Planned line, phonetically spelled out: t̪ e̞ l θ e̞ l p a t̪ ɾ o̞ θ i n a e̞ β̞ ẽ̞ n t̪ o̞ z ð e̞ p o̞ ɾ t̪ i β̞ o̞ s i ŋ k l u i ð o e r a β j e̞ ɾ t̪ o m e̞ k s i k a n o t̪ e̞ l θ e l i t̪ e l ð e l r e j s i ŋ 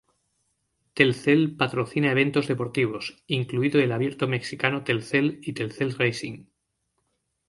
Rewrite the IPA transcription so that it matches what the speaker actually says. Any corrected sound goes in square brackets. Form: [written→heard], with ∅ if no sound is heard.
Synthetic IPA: t̪ e̞ l θ e̞ l p a t̪ ɾ o̞ θ i n a e̞ β̞ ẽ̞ n t̪ o̞ z ð e̞ p o̞ ɾ t̪ i β̞ o̞ s i ŋ k l u i ð o e [r→l] a β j e̞ ɾ t̪ o m e̞ k s i k a n o t̪ e̞ l θ e l i t̪ e l [ð→θ] e l r e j s i ŋ